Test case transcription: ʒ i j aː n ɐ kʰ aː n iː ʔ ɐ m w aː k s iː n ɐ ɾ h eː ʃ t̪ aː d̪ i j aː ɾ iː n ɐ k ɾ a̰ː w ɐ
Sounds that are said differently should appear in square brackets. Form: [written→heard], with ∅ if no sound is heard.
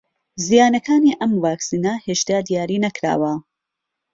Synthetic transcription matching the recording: [ʒ→z] i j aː n ɐ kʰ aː n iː ʔ ɐ m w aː k s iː n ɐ [ɾ→∅] h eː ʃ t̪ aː d̪ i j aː ɾ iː n ɐ k ɾ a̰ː w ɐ